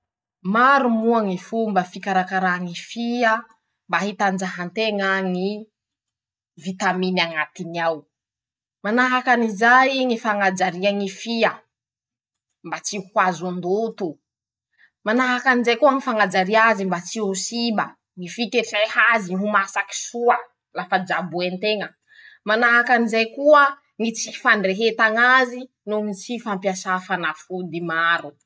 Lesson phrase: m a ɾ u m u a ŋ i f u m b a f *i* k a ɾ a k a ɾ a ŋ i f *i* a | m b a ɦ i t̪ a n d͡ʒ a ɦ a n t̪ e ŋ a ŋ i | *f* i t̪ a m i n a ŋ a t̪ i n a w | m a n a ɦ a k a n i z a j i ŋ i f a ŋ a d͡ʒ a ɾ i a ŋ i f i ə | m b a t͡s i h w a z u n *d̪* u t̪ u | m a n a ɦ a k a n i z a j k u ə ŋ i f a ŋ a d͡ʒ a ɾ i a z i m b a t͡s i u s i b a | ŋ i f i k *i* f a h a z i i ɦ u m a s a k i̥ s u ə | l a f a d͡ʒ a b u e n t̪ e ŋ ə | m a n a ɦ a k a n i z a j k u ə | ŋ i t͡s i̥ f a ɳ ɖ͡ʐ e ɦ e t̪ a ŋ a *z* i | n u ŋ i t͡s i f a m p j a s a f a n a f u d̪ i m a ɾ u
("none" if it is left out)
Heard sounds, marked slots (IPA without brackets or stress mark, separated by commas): i, i, v, d̪, e, z